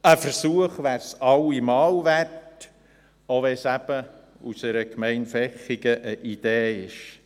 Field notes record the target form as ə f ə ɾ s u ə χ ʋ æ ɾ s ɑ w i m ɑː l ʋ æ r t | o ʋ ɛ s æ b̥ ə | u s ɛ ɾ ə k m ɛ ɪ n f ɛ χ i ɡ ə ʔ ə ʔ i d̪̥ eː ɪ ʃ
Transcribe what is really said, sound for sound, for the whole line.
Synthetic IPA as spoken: ə f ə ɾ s u ə χ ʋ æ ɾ s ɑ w i m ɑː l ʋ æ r t | o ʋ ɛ s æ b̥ ə | u s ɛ ɾ ə k m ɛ ɪ n f ɛ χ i ɡ ə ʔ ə ʔ i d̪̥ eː ɪ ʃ

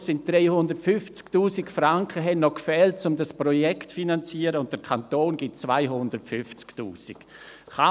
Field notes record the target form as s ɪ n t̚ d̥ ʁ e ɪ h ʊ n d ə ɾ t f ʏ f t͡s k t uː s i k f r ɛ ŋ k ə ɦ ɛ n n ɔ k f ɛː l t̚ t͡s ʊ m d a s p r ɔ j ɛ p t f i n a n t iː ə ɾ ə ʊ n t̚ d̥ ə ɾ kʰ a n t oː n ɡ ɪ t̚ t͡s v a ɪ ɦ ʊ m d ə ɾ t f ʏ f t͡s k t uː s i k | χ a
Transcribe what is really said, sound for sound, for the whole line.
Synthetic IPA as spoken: s ɪ n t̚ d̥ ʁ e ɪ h ʊ n d ə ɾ t f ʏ f t͡s k t uː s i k f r a ŋ k ə ɦ ɛ n n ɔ k f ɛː l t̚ t͡s ʊ m d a s p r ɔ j ɛ k t f i n a n t͡s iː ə ɾ ə ʊ n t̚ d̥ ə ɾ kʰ a n t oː n ɡ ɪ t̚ t͡s v a ɪ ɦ ʊ n d ə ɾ t f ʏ f t͡s k t uː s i k | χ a

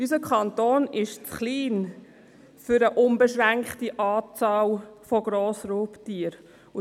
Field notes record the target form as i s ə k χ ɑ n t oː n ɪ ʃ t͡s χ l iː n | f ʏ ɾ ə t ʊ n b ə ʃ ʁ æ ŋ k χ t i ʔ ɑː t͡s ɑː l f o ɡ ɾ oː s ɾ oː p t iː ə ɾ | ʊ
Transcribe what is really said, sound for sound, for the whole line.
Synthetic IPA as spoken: y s ə k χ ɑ n t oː n ɪ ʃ t͡s χ l iː n | f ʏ ɾ ə ʔ ʊ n b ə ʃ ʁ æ ŋ k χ t i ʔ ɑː t͡s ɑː l f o ɡ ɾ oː s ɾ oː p t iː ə ɾ | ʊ

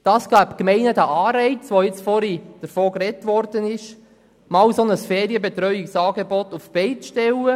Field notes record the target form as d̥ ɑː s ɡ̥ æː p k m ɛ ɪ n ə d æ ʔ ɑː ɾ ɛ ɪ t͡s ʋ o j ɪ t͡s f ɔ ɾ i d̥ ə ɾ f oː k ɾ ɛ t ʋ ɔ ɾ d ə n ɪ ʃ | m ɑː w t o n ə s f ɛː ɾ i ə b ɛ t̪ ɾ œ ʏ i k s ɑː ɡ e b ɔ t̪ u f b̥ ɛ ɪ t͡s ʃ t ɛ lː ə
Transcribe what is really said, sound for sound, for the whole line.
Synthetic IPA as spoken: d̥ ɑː s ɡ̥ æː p k m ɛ ɪ n ə d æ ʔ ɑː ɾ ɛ ɪ t͡s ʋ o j ɪ t͡s f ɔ ɾ i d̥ ə ɾ f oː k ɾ ɛ t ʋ ɔ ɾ d ə n ɪ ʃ | m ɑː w s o n ə s f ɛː ɾ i ə b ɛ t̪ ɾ œ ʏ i k s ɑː ɡ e b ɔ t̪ u f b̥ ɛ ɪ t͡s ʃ t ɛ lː ə

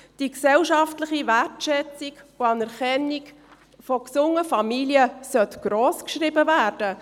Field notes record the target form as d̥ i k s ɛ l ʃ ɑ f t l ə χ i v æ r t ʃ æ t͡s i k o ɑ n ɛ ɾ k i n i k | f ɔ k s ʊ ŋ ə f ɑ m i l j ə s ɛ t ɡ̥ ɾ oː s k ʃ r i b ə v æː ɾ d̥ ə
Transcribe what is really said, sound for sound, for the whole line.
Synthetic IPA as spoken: d̥ i k s ɛ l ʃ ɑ f t l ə χ i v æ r t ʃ ɛ t͡s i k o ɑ n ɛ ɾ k ɛ n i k | f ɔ k s ʊ ŋ ə f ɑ m i l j ə s œ t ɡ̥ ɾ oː s k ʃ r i b ə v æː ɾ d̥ ə

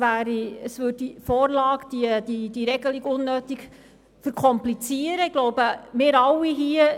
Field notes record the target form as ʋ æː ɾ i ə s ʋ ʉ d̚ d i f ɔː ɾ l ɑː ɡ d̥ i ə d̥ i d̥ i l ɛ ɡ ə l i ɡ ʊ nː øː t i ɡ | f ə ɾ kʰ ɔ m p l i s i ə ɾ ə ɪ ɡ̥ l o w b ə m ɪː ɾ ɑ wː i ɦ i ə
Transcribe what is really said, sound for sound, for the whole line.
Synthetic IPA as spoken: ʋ æː ɾ i ə s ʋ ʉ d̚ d i f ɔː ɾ l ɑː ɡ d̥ i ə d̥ i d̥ i ɾ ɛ ɡ ə l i ɡ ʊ nː øː t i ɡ | f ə ɾ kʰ ɔ m p l i t͡s i ə ɾ ə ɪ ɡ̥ l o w b ə m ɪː ɾ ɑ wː i ɦ i ə

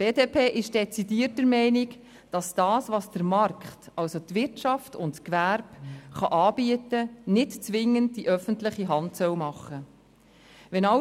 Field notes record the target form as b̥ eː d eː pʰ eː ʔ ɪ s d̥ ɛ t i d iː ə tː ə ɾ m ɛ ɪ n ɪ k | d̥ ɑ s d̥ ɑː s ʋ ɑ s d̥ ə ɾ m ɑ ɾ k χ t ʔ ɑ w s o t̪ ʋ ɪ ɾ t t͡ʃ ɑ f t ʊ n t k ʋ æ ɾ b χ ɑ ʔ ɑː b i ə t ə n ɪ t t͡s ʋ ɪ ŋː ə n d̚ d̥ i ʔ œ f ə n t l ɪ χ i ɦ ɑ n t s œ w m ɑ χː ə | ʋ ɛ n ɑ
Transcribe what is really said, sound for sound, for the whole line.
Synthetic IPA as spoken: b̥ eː d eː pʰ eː ʔ ɪ ʃ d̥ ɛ t͡s i d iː ə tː ə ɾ m ɛ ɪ n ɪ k | d̥ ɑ s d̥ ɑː s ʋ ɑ s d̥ ə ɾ m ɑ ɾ k χ t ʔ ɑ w s o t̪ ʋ ɪ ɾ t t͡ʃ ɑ f t ʊ n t k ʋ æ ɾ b χ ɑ ʔ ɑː b i ə t ə n ɪ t t͡s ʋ ɪ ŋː ə n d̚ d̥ i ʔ œ f ə n t l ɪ χ i ɦ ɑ n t s œ w m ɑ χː ə | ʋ ɛ n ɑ

